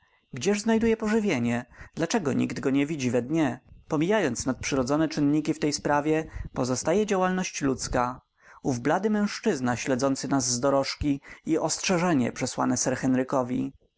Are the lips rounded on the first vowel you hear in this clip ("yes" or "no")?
no